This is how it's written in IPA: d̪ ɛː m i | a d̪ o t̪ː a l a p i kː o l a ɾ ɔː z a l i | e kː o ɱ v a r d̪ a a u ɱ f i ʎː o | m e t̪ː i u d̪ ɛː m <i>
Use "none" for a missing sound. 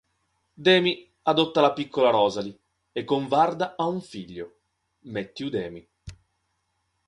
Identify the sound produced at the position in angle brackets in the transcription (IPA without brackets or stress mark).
i